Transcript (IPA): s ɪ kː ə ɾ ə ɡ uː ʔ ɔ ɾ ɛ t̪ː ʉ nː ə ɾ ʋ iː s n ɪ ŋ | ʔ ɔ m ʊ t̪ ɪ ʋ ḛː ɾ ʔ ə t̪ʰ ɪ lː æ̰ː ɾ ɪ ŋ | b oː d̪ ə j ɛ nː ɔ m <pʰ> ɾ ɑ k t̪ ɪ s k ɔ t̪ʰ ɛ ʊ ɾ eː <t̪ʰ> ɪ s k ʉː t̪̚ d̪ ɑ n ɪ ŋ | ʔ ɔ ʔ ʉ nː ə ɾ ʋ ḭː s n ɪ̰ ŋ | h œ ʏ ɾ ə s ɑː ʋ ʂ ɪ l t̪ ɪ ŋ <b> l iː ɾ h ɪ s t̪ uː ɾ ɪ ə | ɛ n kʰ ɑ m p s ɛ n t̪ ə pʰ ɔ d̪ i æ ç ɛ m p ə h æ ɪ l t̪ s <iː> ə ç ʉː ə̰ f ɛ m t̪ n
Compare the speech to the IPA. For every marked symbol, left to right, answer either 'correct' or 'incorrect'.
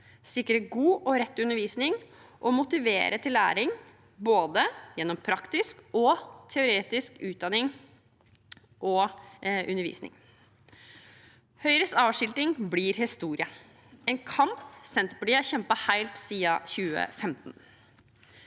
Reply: correct, incorrect: t̪, correct, correct

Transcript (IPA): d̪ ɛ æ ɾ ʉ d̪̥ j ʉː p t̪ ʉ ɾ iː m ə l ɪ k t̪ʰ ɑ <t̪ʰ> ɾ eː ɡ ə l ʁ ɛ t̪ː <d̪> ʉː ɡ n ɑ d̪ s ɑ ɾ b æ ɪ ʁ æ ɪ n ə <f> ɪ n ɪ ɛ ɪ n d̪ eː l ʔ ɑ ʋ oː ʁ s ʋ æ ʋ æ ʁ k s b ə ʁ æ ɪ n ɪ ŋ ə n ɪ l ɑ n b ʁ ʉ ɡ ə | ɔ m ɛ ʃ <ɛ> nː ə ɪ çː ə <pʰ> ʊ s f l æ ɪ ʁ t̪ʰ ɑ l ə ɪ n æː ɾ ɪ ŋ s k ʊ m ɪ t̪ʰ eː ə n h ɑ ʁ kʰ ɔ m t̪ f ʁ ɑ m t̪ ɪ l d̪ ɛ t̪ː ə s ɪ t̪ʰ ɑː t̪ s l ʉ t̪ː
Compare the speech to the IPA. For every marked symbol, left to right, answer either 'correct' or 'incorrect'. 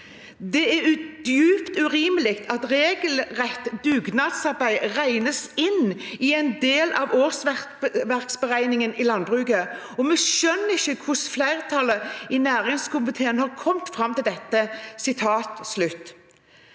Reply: incorrect: t̪, correct, incorrect: s, incorrect: œ, incorrect: kʰ

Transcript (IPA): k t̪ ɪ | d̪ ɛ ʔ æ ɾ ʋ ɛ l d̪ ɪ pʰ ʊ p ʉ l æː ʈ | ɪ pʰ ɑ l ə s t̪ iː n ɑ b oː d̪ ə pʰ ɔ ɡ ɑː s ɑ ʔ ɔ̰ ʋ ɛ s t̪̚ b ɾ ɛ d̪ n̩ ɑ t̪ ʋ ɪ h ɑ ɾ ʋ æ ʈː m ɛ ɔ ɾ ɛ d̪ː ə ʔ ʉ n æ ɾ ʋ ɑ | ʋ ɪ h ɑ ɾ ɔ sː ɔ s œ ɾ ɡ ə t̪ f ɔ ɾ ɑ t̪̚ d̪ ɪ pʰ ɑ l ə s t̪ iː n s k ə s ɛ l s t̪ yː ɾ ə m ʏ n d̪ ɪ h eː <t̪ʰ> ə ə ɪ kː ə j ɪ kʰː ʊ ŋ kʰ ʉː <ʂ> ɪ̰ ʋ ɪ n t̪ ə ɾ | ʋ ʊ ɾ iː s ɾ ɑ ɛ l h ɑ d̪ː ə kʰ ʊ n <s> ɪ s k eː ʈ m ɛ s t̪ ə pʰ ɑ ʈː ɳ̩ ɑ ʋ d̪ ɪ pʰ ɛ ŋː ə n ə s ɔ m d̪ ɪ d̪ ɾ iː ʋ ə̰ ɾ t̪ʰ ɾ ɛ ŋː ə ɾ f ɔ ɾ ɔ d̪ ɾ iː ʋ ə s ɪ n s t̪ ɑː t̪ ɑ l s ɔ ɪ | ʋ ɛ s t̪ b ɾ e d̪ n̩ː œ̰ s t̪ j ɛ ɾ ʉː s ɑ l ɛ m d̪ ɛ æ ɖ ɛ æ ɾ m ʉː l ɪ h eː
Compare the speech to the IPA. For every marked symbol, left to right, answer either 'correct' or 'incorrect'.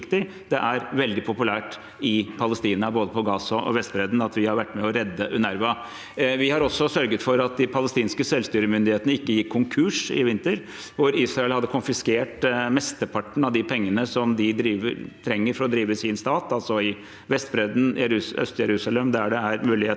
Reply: incorrect: t̪, correct, incorrect: f

